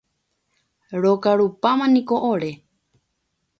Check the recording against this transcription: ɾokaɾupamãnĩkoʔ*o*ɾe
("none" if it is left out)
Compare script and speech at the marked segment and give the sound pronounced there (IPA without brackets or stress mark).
o